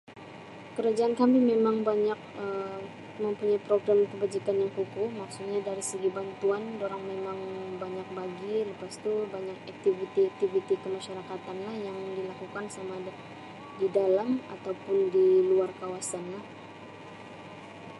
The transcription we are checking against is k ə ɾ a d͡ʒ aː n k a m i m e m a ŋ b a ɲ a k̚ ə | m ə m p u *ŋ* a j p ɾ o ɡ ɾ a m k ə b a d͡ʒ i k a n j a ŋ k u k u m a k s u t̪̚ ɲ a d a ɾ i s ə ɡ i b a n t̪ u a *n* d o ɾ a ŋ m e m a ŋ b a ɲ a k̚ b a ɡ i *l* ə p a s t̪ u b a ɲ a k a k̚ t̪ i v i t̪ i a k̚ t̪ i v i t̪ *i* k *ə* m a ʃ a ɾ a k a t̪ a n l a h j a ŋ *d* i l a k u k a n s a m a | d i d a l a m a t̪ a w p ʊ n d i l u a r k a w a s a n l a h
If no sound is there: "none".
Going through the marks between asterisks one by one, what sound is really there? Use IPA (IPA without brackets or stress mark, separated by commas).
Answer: ɲ, n, l, i, ə, d